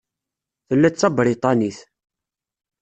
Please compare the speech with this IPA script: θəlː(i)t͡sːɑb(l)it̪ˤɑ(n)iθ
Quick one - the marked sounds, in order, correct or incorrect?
incorrect: æ, incorrect: ɾ, correct

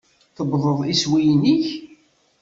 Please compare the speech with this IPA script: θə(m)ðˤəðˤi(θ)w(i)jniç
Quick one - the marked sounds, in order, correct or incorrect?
incorrect: b, incorrect: s, correct

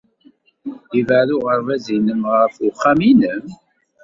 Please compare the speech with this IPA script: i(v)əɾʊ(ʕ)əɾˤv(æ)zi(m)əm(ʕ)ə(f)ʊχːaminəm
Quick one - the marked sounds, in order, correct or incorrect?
correct, incorrect: ʁ, correct, incorrect: n, incorrect: ʁ, correct

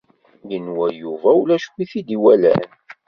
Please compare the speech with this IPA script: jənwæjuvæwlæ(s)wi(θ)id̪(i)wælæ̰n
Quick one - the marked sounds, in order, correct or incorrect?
incorrect: ʃ, correct, correct

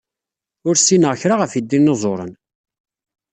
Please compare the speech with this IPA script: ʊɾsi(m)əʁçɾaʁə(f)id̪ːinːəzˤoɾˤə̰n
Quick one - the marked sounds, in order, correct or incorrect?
incorrect: n, correct

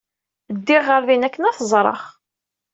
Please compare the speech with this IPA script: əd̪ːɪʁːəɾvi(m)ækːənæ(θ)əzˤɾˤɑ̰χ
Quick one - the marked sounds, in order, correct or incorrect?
incorrect: n, correct

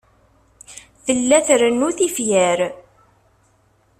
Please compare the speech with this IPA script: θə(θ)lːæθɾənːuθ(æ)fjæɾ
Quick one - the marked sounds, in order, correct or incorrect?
incorrect: none, incorrect: i

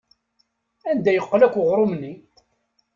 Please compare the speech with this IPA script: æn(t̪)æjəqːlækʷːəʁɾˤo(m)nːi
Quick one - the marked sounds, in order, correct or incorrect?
incorrect: d̪, correct

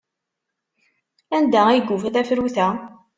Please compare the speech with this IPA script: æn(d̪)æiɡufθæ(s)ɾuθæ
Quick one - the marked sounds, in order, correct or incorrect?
correct, incorrect: f

